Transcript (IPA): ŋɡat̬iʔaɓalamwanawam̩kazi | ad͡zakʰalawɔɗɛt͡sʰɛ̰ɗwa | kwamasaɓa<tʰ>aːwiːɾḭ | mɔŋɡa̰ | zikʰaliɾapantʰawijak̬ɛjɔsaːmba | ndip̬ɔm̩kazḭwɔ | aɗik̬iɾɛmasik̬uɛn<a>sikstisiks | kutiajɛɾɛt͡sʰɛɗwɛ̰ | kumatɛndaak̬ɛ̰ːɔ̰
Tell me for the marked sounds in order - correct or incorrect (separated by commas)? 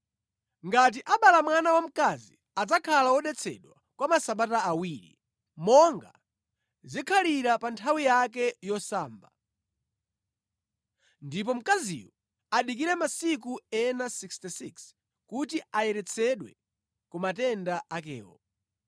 incorrect, correct